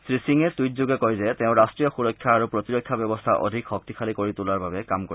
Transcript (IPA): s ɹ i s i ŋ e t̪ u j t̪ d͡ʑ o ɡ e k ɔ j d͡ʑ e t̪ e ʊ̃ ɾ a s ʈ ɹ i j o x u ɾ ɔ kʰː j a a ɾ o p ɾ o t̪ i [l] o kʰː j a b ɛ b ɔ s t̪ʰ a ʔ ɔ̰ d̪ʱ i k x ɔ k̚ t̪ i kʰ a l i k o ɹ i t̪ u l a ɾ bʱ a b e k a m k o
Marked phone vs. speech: incorrect: ɾ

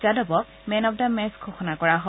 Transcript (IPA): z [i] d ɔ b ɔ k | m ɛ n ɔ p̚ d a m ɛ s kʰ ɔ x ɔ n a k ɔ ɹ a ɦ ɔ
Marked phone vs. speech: incorrect: a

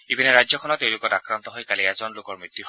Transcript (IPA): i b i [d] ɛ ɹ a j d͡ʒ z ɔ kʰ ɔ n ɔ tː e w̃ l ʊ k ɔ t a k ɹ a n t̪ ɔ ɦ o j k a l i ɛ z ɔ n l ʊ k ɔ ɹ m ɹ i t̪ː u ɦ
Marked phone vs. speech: incorrect: n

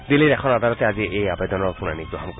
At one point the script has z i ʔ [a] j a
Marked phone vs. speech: incorrect: e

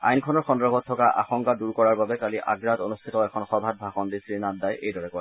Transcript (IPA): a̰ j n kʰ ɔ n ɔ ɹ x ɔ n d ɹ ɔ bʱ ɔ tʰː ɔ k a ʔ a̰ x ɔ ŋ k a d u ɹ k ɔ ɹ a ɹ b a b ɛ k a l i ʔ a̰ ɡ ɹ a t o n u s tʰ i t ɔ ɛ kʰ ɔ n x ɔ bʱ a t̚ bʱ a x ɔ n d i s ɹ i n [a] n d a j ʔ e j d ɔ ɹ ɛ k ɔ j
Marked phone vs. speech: correct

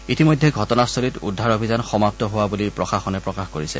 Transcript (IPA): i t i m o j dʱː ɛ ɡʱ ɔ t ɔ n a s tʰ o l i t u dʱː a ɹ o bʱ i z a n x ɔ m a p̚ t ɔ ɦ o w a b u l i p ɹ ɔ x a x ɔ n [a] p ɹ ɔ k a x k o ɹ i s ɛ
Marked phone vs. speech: incorrect: ɛ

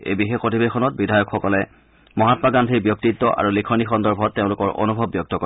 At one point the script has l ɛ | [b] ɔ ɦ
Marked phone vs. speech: incorrect: m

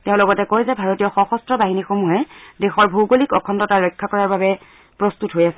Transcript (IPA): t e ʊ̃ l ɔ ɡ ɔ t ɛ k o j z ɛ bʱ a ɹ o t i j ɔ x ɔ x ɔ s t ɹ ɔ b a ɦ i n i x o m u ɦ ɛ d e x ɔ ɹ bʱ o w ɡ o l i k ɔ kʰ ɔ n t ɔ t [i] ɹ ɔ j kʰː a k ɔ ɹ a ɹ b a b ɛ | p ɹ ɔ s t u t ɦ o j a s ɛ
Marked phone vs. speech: incorrect: a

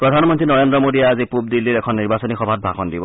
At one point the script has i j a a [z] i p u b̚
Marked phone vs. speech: correct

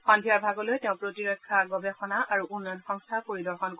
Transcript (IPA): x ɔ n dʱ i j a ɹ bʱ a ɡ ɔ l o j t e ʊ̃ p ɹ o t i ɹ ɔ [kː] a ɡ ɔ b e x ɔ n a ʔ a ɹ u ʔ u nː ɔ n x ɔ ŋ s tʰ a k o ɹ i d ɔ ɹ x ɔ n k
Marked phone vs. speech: incorrect: kʰː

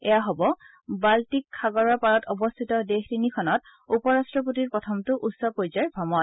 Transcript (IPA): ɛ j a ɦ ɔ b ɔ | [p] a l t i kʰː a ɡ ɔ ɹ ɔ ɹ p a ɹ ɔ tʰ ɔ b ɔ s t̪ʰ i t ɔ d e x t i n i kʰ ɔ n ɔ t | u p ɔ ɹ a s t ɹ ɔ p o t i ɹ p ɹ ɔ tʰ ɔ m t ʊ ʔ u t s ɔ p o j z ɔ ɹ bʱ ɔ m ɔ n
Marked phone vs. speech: incorrect: b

